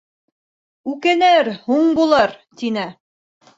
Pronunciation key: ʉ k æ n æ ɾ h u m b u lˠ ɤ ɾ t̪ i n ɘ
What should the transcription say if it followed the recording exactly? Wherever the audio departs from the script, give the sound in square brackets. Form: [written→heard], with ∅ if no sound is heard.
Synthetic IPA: ʉ k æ n æ ɾ h u [m→ɴ] b u lˠ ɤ ɾ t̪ i n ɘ